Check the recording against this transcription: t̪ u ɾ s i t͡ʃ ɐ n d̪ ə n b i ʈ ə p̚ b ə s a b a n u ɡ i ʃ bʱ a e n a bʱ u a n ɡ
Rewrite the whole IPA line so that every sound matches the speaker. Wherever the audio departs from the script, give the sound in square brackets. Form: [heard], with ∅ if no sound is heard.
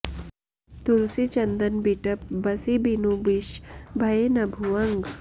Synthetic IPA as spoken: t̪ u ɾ s i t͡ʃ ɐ n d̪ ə n b i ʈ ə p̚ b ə s [i] b [i] n u [b] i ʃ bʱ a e n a bʱ u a [ŋ] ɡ